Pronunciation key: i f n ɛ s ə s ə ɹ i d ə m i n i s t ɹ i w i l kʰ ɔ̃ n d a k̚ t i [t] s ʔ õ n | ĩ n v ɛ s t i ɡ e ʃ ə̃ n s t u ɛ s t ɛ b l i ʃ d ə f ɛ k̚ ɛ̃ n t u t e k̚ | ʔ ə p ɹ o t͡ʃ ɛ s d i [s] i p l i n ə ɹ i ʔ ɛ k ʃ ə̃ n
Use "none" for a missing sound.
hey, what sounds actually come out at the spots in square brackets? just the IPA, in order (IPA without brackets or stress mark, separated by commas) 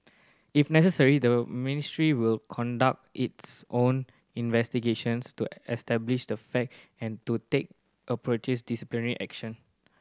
t, s